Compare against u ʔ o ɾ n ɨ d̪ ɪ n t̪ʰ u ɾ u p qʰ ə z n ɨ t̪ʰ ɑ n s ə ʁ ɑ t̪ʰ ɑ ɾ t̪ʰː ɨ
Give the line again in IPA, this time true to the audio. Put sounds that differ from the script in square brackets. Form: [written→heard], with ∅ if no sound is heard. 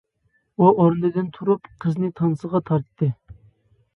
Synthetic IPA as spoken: u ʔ o ɾ n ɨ d̪ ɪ n t̪ʰ u ɾ u p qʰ ə z n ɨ t̪ʰ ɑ n s ə ʁ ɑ t̪ʰ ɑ ɾ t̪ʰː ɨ